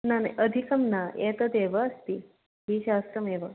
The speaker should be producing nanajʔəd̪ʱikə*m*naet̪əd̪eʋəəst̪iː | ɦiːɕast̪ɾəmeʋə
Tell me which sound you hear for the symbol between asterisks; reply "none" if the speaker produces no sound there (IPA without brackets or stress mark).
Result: m